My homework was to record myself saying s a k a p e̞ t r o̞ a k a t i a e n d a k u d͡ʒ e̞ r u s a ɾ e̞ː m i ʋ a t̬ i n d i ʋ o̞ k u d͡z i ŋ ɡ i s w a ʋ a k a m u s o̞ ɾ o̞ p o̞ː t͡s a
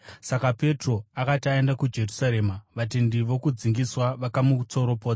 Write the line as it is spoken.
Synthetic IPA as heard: s a k a p e̞ t r o̞ a k a t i a e n d a k u d͡ʒ e̞ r u s a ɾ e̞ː m a ʋ a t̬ i n d i ʋ o̞ k u d͡z i ŋ ɡ i s w a ʋ a k a m u t͡s o̞ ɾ o̞ p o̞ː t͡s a